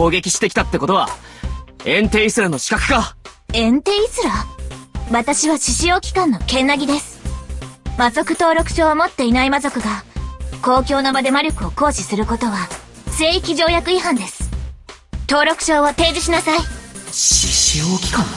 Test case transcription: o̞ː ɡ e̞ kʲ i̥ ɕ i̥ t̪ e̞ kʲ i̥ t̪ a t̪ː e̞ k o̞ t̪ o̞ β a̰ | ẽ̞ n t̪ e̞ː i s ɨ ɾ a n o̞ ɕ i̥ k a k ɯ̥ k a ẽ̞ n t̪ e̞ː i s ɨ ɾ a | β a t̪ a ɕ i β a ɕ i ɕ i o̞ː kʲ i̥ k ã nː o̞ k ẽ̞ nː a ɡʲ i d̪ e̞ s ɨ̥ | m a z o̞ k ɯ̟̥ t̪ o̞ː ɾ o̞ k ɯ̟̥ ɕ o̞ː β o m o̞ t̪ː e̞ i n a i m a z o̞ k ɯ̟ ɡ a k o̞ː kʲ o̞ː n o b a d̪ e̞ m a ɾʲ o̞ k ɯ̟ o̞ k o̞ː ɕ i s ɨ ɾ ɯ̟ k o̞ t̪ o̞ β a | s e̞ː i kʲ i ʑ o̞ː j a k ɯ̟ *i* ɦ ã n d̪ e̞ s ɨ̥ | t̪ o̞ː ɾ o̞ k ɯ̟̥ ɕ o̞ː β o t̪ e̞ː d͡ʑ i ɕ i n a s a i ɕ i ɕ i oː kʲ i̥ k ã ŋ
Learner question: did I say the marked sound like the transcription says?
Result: yes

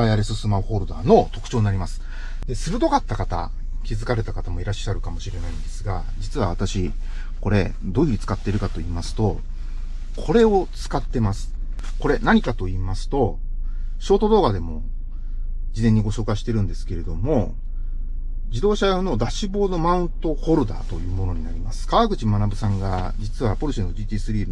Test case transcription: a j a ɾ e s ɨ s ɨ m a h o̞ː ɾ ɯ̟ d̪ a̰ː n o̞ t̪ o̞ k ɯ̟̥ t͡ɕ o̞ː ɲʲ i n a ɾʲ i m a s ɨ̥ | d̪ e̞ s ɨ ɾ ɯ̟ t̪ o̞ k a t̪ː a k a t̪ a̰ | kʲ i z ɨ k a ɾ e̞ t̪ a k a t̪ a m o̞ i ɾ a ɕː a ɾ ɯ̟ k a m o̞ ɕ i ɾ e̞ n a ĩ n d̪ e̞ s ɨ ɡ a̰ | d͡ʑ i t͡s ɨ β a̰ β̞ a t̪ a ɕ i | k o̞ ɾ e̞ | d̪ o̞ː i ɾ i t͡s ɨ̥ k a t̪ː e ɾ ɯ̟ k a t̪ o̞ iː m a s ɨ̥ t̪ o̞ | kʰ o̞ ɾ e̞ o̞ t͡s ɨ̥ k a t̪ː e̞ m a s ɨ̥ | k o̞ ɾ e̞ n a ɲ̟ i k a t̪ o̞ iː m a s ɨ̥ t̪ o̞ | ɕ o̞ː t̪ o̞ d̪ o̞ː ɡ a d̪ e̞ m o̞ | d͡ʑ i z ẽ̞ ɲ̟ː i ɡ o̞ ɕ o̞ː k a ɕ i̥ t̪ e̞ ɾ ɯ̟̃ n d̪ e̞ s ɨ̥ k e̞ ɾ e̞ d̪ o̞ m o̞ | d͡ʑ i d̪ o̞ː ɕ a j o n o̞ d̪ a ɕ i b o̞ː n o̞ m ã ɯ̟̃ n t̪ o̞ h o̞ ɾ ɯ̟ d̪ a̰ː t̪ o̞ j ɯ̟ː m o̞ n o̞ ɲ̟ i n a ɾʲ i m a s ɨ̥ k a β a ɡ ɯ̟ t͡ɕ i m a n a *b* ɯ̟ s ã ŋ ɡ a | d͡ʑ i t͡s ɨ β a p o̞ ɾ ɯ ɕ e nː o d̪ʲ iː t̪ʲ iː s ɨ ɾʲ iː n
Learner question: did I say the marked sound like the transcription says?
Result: yes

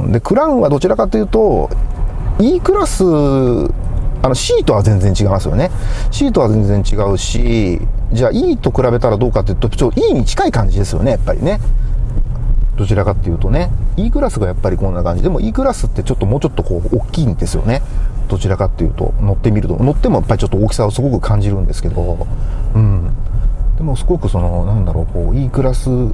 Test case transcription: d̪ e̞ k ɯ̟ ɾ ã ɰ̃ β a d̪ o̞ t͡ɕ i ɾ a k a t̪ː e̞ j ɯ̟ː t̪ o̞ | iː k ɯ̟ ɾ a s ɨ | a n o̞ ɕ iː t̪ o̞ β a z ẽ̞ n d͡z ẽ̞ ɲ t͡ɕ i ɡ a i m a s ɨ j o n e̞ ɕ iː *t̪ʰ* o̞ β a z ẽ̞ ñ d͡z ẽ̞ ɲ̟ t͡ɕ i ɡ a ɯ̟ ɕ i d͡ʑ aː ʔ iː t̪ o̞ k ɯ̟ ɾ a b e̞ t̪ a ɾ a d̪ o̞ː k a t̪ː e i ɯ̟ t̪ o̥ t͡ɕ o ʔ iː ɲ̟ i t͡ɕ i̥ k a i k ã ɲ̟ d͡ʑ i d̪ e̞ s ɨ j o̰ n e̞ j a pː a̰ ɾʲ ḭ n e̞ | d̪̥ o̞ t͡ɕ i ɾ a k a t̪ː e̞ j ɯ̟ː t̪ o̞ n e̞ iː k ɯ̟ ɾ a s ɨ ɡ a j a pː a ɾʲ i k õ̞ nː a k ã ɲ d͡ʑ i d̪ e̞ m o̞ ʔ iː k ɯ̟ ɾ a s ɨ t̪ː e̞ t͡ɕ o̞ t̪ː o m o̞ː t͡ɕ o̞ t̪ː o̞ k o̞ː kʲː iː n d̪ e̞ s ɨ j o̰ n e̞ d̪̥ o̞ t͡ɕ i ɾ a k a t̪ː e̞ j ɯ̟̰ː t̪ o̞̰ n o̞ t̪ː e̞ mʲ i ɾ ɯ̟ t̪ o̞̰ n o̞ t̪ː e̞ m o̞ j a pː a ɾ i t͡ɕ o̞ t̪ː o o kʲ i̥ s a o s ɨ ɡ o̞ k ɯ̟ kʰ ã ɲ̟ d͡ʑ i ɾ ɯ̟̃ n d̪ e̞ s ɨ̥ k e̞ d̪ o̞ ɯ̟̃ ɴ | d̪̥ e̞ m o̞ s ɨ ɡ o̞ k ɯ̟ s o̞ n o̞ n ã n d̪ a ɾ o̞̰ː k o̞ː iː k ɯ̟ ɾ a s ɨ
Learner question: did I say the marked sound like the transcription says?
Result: no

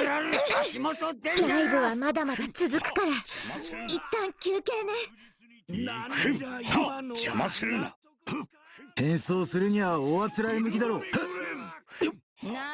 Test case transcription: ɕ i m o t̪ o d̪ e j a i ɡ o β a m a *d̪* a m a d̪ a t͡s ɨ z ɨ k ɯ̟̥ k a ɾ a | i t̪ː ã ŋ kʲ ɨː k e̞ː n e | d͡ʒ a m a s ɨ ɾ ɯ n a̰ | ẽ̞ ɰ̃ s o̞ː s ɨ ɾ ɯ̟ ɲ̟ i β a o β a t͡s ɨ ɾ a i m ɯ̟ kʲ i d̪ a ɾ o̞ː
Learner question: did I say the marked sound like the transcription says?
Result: yes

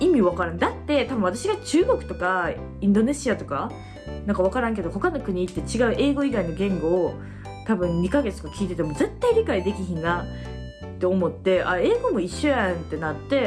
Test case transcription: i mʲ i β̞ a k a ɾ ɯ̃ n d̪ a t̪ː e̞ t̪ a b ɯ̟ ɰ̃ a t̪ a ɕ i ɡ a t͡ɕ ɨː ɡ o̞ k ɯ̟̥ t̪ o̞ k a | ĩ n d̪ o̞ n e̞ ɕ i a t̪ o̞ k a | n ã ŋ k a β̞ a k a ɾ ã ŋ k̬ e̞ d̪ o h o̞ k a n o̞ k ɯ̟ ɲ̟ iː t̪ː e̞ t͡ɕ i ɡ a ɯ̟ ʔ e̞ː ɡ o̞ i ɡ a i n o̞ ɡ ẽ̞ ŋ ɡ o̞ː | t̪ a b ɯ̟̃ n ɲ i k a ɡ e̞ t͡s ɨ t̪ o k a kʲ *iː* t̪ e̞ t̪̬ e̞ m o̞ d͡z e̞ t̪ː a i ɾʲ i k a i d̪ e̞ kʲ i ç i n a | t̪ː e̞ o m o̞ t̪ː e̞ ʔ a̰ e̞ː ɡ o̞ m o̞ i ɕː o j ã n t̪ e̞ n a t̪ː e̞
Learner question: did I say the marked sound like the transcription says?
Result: yes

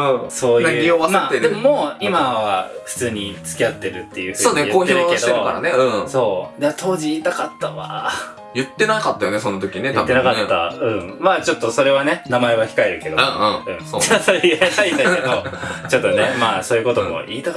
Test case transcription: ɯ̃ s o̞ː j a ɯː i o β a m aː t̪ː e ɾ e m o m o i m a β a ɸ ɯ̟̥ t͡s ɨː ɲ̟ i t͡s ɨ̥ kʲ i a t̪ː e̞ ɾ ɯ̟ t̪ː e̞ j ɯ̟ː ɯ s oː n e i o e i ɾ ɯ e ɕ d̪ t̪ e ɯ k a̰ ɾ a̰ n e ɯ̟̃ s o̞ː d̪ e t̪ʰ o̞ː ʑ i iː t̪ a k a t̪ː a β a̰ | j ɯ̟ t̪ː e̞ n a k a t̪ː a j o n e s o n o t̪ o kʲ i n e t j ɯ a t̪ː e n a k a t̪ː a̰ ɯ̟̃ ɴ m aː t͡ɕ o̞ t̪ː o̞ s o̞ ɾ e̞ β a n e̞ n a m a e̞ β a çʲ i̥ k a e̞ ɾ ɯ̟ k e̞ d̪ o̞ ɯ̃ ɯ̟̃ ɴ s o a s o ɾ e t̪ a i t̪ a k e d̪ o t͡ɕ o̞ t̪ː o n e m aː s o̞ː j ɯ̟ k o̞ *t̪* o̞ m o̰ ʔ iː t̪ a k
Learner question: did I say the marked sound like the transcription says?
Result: yes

